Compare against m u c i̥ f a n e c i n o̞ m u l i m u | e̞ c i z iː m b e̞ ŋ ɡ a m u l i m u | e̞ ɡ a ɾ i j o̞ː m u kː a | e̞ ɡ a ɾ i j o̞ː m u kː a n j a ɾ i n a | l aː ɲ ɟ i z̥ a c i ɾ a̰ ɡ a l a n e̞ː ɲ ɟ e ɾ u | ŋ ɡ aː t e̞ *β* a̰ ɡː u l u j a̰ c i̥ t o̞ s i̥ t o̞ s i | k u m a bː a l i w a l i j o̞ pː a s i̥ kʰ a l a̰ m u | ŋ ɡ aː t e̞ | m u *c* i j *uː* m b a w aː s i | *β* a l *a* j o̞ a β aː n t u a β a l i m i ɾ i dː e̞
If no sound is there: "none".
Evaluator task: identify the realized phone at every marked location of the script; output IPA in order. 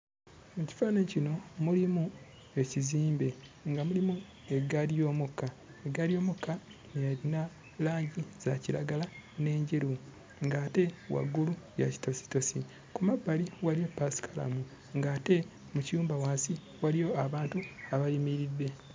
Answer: w, c, uː, w, i

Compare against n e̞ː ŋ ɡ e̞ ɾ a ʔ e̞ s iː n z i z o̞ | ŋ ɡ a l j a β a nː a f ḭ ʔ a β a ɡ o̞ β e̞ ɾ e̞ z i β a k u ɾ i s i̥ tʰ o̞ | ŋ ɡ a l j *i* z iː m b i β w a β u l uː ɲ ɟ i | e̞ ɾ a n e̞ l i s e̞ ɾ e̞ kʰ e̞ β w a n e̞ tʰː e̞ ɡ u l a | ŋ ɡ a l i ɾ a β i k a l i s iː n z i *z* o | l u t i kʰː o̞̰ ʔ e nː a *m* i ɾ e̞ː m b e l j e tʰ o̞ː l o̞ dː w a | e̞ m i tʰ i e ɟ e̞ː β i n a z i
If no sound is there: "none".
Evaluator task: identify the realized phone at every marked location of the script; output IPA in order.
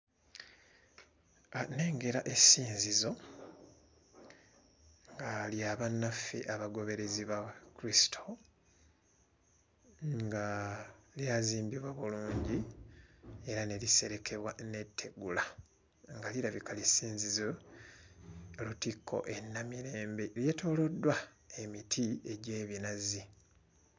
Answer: a, z, m

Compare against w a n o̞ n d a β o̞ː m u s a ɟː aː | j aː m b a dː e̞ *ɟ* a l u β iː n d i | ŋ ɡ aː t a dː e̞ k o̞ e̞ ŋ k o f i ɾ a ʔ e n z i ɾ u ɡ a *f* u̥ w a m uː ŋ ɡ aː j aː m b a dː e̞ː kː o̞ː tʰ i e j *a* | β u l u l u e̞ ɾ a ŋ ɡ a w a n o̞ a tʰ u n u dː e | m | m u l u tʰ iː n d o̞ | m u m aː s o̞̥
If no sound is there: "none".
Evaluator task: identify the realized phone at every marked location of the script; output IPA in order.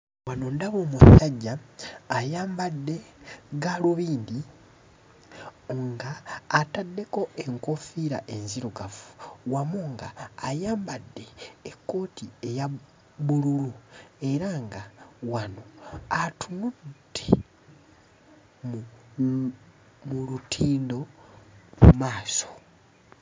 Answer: ɡ, f, a

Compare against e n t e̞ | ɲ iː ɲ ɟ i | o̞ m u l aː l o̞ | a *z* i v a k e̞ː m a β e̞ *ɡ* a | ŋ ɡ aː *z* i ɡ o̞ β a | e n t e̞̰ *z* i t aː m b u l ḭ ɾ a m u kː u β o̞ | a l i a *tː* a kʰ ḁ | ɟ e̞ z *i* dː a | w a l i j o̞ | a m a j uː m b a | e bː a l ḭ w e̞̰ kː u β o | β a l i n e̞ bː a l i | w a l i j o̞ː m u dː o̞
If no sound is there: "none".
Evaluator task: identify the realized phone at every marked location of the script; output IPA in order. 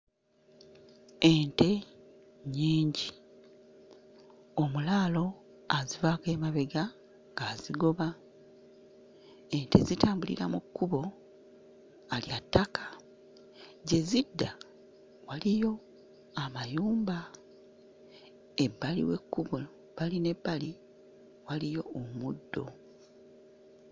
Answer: z, ɡ, z, z, tː, i

